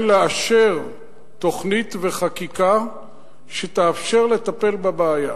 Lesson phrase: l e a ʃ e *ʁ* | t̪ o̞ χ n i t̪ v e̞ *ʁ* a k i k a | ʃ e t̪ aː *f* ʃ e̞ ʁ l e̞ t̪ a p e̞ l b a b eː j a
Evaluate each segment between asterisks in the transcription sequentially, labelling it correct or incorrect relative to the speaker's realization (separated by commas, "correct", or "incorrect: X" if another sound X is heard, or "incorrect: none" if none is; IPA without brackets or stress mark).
correct, incorrect: χ, correct